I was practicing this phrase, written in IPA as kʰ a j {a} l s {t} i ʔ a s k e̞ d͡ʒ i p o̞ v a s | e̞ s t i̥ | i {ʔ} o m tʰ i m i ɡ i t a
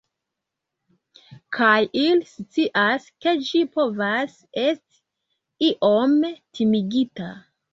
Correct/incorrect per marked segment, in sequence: incorrect, incorrect, correct

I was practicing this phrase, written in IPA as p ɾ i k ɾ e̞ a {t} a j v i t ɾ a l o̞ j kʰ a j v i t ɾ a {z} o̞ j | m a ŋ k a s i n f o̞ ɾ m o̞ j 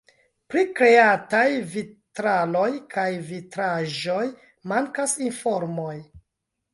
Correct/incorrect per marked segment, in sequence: correct, incorrect

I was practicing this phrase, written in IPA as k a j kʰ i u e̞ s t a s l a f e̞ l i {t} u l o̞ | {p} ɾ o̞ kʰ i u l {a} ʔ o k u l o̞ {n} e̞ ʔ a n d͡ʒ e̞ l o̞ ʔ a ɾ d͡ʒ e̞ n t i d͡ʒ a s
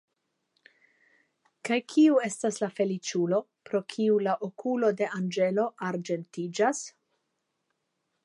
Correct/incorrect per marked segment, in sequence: incorrect, correct, correct, incorrect

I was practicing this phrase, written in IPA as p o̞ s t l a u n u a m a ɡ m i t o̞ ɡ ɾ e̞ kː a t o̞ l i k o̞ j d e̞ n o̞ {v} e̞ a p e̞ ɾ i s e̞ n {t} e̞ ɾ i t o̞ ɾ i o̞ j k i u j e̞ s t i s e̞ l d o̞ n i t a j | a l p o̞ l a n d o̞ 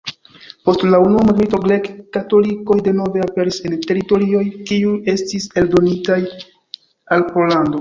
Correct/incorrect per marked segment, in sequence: correct, correct

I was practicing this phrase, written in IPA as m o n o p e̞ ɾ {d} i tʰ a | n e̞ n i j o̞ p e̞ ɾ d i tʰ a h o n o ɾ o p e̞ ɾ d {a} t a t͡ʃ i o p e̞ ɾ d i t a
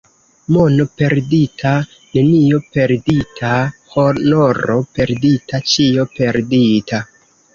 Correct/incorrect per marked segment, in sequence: correct, incorrect

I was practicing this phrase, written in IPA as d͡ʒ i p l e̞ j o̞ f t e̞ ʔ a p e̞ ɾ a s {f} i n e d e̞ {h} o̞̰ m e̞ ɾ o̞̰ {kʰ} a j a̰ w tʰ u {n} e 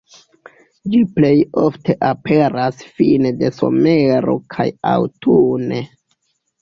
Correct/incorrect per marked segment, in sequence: correct, incorrect, correct, correct

